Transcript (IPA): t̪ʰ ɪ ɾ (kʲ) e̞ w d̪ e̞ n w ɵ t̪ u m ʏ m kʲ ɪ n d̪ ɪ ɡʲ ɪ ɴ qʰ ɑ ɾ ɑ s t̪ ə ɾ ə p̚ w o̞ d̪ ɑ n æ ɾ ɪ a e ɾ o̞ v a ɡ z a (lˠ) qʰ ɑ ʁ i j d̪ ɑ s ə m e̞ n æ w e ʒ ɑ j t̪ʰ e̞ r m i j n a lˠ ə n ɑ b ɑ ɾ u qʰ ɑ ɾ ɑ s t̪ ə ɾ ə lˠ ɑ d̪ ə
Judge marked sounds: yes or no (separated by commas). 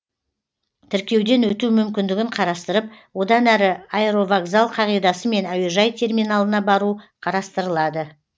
yes, yes